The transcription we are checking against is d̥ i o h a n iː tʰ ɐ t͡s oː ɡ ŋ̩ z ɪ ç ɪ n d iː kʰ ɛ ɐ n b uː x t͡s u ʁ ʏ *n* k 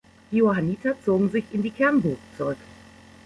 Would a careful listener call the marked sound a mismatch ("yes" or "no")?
yes